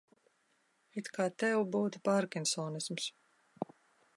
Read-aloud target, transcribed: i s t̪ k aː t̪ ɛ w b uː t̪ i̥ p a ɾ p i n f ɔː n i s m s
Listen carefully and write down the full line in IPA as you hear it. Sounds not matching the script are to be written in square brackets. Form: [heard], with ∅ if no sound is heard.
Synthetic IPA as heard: i [∅] t̪ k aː t̪ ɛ w b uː t̪ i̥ p a ɾ [k] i n [s] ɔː n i s m s